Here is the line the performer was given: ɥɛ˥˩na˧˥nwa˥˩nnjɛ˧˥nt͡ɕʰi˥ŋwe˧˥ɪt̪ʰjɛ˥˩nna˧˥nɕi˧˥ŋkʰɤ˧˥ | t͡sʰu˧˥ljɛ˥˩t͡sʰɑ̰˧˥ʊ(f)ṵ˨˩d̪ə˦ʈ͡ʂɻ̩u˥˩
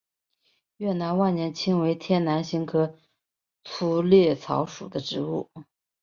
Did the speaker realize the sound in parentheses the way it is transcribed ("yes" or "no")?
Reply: no